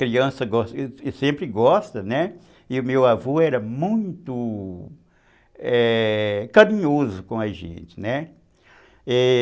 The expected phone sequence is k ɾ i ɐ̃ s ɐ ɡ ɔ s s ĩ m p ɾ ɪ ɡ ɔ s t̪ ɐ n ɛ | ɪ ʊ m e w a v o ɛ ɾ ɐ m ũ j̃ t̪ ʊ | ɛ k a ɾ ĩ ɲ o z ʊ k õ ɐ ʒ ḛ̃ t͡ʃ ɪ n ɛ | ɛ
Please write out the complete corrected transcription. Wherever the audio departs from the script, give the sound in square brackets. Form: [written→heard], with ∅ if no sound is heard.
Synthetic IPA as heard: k ɾ i ɐ̃ s ɐ ɡ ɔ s s [ĩ→ẽ] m p ɾ ɪ ɡ ɔ s t̪ ɐ n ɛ | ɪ ʊ m e w a v o ɛ ɾ ɐ m ũ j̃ t̪ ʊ | ɛ k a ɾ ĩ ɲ o z ʊ k õ ɐ ʒ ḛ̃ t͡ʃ ɪ n ɛ | ɛ